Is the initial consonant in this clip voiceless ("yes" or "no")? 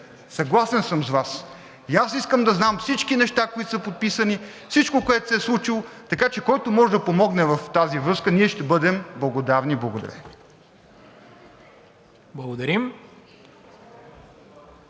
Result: yes